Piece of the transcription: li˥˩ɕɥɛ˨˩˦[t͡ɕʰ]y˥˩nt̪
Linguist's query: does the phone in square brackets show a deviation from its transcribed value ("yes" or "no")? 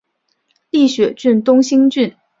yes